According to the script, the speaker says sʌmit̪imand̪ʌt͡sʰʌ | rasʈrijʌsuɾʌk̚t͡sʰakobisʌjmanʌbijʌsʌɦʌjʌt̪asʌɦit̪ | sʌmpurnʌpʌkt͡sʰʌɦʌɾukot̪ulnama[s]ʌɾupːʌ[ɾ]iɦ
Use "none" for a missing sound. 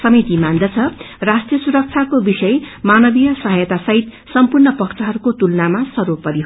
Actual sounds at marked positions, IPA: s, ɾ

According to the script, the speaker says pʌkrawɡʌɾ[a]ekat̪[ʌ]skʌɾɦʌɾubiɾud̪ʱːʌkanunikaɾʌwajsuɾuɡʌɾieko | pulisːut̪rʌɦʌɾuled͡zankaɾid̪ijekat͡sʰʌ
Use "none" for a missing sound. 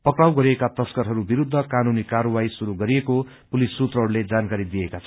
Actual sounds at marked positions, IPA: i, ʌ

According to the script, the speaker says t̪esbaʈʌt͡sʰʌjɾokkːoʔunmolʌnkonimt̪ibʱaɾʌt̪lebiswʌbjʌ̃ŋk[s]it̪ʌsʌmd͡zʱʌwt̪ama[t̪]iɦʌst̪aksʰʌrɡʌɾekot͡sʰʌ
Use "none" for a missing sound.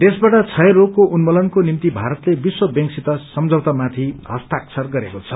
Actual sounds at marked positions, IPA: s, t̪ʰ

